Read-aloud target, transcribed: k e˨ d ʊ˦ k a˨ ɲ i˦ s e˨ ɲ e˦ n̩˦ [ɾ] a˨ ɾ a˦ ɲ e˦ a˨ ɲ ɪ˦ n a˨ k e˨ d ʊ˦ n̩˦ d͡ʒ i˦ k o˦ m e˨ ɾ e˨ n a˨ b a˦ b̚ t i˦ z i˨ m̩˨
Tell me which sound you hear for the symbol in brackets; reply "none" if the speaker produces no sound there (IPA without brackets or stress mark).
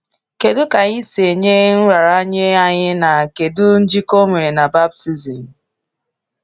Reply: ɾ